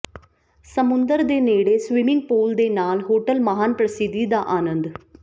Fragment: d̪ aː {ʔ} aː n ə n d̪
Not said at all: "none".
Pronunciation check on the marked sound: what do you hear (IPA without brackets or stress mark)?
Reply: ʔ